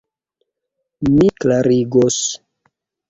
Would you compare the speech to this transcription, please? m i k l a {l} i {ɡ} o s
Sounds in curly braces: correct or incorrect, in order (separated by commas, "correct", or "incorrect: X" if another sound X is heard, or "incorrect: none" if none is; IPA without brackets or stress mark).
incorrect: ɾ, correct